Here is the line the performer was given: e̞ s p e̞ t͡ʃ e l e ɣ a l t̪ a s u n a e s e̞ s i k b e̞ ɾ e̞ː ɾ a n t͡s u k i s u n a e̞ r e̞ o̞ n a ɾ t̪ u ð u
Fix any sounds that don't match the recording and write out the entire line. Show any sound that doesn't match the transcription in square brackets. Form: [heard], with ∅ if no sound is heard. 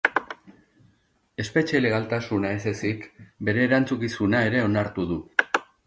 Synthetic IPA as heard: e̞ s p e̞ t͡ʃ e l e ɣ a l t̪ a s u n a e s e̞ s i k b e̞ ɾ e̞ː ɾ a n t͡s u k i s u n a e̞ [ɾ] e̞ o̞ n a ɾ t̪ u ð u